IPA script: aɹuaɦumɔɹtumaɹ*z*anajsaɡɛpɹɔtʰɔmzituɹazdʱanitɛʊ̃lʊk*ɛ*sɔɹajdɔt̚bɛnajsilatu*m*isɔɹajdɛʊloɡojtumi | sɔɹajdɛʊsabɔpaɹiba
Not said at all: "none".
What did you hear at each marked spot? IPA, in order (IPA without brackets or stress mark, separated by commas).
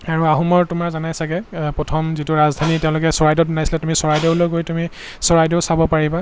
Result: z, ɛ, m